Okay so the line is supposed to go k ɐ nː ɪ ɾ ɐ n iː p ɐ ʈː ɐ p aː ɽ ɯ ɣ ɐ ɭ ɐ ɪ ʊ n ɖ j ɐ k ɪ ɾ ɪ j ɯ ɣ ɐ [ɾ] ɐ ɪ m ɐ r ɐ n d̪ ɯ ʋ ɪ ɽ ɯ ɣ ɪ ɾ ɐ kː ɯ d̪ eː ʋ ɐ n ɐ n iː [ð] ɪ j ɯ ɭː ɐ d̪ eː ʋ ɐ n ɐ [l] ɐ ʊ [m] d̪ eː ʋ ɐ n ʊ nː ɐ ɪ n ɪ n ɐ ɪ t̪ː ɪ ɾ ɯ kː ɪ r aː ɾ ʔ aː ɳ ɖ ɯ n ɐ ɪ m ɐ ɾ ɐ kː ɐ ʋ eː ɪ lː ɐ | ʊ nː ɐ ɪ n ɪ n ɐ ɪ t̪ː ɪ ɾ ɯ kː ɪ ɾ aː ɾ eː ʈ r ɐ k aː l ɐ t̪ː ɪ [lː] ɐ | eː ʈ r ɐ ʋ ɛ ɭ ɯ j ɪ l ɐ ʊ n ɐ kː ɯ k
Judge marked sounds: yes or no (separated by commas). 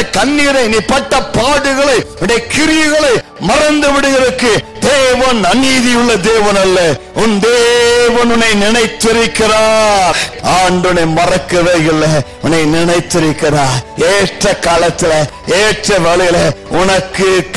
no, yes, no, no, no